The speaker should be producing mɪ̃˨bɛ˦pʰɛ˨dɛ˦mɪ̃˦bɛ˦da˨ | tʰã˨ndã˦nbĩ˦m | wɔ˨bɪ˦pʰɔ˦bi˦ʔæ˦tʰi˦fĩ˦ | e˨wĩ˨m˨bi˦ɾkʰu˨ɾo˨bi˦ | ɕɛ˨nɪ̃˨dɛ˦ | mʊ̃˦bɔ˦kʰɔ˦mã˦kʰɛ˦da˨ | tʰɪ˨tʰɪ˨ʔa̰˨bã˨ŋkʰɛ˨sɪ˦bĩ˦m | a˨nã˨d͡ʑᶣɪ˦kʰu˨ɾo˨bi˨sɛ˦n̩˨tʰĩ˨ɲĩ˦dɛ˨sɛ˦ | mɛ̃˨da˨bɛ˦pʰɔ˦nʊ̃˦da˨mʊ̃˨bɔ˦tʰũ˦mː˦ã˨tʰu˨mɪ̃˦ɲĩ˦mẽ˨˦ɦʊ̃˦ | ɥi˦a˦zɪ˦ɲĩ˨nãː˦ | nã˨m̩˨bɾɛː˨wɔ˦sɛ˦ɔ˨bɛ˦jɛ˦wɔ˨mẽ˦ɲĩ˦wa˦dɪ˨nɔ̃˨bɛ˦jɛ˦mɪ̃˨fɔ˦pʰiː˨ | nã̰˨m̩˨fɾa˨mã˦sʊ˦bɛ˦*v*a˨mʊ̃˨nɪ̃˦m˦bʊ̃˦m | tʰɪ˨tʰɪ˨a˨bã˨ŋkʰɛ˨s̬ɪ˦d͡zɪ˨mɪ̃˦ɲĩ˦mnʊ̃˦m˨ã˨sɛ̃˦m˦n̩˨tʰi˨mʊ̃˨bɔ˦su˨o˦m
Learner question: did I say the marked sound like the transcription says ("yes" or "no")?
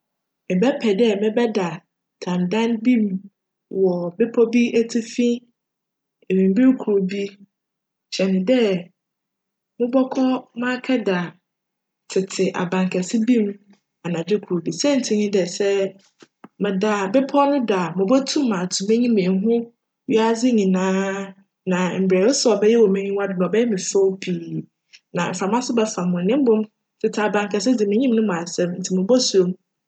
no